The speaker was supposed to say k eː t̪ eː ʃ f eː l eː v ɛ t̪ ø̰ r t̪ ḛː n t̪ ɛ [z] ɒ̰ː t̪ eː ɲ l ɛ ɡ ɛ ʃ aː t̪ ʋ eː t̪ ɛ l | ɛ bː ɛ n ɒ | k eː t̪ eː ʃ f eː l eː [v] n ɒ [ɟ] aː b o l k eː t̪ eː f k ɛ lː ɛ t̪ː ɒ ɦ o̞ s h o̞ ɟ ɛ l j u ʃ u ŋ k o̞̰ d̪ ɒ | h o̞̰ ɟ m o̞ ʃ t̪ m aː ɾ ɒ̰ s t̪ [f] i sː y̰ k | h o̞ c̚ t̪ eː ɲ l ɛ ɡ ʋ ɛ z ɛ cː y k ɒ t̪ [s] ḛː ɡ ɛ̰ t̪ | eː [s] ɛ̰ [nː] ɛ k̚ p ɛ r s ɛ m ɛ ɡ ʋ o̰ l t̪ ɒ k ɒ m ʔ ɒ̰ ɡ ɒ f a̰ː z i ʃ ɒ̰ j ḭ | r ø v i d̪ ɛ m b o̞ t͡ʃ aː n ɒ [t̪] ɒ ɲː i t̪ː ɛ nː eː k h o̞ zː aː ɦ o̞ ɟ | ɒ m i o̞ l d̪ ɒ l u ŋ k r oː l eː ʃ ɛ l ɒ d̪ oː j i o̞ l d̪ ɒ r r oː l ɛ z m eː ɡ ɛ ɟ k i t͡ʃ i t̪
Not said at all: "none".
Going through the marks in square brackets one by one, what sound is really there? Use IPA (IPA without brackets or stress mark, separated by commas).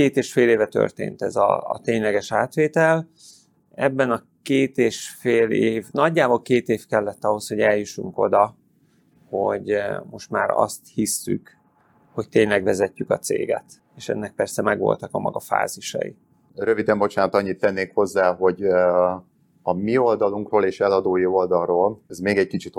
z, v, ɟː, h, s, ʃ, nː, t̪